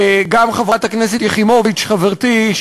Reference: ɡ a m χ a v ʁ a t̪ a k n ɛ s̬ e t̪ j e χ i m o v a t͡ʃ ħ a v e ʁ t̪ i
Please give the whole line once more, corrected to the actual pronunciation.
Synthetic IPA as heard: ɡ a m χ a v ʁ a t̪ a k n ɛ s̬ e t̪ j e χ i m o v i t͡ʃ χ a v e ʁ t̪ i